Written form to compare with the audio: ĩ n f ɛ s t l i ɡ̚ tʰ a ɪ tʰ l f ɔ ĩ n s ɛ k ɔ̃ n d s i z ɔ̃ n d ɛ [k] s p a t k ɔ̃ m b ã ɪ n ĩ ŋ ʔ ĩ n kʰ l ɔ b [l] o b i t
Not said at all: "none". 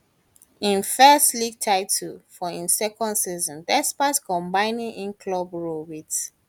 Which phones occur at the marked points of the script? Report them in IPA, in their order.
none, ɹ

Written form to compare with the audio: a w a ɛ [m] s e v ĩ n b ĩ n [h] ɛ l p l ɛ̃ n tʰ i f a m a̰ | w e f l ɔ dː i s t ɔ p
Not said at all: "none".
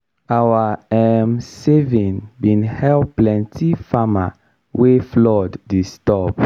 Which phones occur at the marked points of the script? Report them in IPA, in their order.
m, h

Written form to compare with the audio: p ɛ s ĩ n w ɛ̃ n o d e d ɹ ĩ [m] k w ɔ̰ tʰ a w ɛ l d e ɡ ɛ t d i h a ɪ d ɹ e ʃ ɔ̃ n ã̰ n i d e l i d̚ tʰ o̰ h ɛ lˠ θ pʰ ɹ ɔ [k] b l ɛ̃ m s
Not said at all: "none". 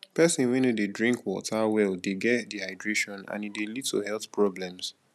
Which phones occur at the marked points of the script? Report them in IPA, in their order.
ŋ, none

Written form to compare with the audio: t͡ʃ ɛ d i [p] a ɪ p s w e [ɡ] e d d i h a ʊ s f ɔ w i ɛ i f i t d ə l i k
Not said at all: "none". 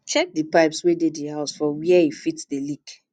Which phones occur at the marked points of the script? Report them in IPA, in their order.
p, d

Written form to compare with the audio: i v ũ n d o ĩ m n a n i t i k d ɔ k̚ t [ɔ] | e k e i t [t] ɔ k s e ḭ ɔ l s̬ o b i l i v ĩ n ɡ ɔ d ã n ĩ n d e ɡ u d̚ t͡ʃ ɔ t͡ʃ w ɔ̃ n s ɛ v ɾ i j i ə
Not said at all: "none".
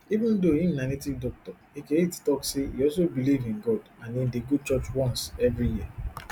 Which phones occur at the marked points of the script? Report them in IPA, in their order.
ɔ, t

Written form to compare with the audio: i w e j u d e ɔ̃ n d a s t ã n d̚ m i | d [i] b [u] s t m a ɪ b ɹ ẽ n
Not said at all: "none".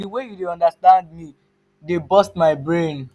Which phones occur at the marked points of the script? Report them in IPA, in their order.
e, ɔ

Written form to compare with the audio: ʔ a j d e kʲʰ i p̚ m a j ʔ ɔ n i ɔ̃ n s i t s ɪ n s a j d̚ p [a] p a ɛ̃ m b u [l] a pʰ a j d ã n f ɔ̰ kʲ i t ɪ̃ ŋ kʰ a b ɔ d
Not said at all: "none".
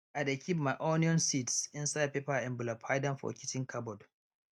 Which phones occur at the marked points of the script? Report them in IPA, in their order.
e, l

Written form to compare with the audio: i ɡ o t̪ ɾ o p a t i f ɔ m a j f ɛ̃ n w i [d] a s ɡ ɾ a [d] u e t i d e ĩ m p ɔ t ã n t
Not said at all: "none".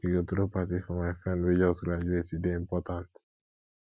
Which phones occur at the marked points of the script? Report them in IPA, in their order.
d͡ʒ, d͡ʒ

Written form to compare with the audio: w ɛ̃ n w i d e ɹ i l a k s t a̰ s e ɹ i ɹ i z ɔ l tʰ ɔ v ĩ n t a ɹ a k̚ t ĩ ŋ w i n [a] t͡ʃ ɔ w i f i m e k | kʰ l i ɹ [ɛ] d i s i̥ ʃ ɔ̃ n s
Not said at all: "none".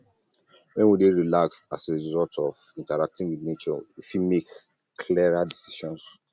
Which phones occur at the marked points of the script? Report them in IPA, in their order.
e, a

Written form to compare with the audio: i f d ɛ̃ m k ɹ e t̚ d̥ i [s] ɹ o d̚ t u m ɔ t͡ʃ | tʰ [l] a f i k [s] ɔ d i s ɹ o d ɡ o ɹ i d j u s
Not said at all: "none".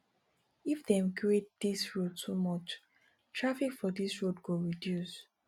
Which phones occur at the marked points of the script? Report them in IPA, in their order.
s, ɹ, f

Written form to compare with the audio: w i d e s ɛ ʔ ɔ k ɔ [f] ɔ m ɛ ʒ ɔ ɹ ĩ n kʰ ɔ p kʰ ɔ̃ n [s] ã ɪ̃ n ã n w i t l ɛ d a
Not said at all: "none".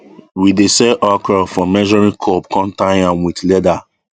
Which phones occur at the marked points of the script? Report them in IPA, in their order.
f, t

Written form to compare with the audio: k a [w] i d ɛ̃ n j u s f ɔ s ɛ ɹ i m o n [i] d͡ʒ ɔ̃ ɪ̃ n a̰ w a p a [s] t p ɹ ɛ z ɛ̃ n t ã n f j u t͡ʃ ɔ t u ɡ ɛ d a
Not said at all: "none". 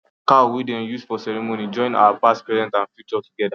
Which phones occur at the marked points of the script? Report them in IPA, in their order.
w, i, s

